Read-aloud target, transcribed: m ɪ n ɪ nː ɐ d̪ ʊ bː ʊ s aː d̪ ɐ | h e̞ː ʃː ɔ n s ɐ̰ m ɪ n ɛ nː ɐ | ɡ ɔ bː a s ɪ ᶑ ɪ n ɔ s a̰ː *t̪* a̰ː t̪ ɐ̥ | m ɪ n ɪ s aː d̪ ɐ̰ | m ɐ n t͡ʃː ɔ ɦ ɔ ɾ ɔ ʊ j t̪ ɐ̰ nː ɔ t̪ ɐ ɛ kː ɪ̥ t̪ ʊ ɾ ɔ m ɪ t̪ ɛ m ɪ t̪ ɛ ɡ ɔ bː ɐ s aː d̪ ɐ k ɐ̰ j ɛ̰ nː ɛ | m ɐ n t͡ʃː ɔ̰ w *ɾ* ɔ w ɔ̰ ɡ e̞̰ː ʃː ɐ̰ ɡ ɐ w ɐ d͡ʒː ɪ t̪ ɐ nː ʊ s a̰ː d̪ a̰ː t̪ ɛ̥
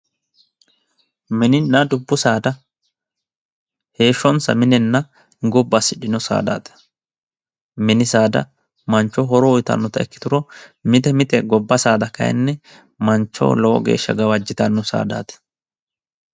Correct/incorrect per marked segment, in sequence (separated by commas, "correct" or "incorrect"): incorrect, incorrect